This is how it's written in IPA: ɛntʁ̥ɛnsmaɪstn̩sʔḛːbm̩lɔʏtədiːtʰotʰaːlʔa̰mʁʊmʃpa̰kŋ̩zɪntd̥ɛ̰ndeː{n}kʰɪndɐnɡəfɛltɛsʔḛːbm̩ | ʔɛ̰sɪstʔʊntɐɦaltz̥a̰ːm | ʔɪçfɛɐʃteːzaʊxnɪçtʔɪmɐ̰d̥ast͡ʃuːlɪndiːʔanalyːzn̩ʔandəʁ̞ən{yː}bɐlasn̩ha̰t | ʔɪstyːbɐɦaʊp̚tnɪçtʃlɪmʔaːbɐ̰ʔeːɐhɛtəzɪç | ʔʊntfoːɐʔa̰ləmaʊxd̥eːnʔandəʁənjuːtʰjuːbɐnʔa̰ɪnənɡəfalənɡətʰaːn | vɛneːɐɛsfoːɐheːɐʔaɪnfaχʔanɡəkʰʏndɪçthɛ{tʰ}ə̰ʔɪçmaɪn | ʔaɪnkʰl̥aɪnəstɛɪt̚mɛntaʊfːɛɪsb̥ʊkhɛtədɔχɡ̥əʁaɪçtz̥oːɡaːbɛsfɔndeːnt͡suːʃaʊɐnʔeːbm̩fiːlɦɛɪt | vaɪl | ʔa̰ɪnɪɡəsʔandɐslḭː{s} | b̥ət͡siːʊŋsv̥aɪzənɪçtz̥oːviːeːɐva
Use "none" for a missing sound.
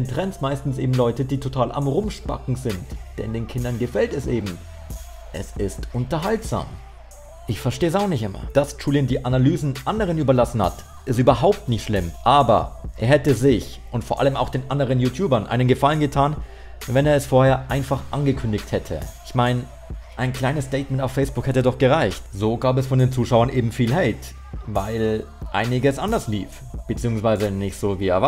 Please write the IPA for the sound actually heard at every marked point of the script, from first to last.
n, yː, tʰ, f

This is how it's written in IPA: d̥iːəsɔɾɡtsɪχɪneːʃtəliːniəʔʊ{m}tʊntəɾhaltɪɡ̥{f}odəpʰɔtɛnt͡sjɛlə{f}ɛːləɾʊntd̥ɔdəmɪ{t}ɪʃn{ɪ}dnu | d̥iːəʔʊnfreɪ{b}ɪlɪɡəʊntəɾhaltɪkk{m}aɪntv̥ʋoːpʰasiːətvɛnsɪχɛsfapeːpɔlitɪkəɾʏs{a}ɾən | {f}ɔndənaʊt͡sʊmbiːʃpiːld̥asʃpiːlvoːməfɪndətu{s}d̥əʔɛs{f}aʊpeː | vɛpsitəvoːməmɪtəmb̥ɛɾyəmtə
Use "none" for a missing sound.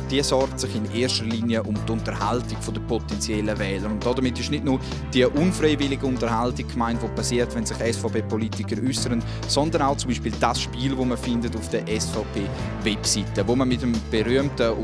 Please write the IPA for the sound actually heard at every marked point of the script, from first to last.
m, f, v, t, ɪ, v, m, ə, s, f, f

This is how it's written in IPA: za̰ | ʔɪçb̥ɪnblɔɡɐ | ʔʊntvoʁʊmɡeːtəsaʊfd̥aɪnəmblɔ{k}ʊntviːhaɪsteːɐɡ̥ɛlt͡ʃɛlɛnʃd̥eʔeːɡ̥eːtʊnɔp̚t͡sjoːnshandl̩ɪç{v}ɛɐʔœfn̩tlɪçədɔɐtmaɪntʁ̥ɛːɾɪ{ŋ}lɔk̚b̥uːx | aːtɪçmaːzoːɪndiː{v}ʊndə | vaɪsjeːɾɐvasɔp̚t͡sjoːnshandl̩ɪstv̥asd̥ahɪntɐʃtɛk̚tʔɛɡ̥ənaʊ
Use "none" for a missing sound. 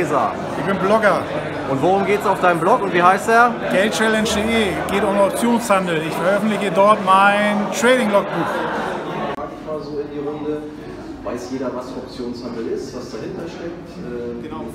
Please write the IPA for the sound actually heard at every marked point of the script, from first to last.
k, f, ŋ, ʁ

